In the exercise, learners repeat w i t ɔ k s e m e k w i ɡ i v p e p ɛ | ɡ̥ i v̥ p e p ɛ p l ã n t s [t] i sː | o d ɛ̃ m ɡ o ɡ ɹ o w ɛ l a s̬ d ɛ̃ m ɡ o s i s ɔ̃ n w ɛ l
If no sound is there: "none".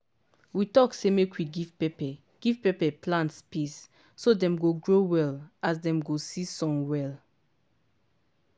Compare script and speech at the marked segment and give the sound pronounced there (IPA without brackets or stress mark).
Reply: p